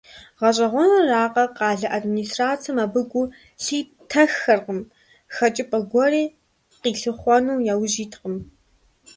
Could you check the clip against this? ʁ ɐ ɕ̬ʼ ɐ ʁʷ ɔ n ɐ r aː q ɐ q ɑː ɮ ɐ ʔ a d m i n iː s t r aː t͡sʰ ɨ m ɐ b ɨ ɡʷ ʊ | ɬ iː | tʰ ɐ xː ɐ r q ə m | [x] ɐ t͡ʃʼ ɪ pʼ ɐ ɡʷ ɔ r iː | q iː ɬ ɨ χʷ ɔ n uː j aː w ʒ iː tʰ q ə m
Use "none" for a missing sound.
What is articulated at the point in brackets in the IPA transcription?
x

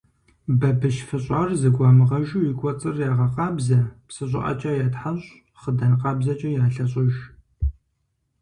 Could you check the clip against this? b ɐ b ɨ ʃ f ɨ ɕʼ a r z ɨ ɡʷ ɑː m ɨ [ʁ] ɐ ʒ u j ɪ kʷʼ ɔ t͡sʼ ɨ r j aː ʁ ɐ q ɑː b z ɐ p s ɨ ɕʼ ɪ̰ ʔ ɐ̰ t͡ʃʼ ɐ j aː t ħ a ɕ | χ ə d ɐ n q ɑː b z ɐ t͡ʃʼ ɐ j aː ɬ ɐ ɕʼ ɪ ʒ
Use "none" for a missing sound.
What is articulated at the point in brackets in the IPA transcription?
ʁ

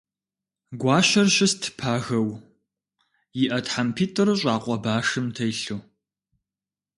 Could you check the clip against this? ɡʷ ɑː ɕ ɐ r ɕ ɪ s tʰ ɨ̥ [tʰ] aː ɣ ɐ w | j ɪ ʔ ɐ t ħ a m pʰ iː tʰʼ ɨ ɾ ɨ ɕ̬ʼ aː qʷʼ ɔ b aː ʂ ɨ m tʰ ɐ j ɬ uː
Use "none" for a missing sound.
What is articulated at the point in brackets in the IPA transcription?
pʰ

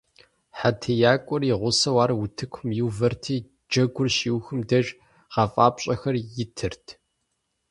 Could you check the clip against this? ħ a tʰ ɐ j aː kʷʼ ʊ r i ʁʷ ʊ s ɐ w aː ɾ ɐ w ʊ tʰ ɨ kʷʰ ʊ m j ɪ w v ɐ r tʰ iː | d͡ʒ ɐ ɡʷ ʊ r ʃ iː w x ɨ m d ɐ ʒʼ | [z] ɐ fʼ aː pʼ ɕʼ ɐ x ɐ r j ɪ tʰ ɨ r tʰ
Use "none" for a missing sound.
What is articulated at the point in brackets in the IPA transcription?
ʁ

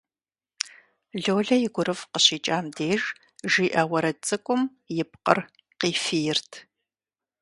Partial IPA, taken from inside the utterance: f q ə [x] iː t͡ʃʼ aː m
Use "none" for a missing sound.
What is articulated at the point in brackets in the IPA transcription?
ɕ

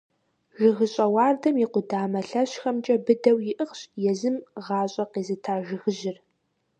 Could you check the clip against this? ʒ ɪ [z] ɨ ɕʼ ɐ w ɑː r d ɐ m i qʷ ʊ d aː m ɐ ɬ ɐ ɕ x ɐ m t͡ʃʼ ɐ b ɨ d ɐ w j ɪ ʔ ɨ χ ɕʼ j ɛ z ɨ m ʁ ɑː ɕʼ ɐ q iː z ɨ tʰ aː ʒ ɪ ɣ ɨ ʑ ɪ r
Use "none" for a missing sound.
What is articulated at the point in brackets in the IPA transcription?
ɣ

